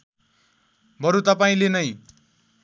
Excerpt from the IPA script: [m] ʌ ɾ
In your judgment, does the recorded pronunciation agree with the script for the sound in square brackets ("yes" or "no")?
no